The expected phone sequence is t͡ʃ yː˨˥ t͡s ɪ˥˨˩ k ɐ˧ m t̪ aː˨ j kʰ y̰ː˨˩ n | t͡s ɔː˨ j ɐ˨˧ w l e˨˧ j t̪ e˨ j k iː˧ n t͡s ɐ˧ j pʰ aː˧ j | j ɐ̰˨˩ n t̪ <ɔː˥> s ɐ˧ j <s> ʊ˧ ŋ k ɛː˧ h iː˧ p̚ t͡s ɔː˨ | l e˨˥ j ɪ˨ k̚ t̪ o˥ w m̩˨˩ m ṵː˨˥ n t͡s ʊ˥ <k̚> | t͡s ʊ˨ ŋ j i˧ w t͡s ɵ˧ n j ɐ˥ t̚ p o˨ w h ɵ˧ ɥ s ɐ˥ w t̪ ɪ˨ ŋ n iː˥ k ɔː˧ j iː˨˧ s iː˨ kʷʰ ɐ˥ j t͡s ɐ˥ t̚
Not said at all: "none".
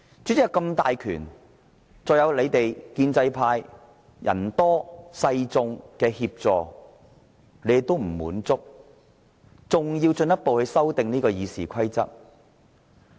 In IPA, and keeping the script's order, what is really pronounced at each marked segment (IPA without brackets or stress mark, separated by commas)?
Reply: ɔː˥, t͡s, k̚